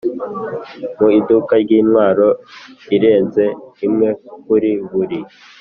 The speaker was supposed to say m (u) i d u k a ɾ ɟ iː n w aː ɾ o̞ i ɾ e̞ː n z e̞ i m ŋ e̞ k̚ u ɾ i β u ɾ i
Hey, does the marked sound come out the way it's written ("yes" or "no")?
yes